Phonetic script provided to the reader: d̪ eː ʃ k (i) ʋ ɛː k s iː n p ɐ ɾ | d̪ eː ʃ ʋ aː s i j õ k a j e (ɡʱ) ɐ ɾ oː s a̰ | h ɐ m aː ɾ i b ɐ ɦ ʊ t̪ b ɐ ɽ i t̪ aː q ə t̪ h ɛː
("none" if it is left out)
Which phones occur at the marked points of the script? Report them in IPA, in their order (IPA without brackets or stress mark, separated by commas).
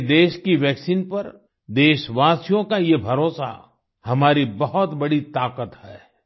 i, bʱ